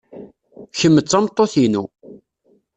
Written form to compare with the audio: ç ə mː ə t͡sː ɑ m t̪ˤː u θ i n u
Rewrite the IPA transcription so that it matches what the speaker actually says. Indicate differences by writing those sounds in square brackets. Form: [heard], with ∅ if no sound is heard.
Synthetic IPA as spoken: ç ə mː ə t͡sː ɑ m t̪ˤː [o] θ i n u